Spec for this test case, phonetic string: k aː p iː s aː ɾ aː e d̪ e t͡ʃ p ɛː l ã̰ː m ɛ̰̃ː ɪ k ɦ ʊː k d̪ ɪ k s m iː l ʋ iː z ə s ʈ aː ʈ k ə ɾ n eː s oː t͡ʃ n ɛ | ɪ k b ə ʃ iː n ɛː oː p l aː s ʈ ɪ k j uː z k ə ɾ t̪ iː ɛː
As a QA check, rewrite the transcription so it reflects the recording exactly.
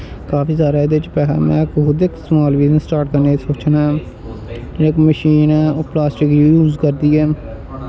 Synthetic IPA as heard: k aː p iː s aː ɾ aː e d̪ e t͡ʃ p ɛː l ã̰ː m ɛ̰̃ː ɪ k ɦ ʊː d̪ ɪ k s m aː l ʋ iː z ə s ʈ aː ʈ k ə ɾ n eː s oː t͡ʃ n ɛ | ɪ k m ə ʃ iː n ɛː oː p l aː s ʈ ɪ k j uː z k ə ɾ d̪ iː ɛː